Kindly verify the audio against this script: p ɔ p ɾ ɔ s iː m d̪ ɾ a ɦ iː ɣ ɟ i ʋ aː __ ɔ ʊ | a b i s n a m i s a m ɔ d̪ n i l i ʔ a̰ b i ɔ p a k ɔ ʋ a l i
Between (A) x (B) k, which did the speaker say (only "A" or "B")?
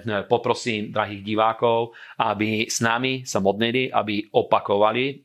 B